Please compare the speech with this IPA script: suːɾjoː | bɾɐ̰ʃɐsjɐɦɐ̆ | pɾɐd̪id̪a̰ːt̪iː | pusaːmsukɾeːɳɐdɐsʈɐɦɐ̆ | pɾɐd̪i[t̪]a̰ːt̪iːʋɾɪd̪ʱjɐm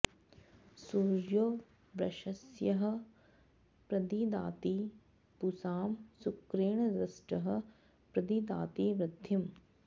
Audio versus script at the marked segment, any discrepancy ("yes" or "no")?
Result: yes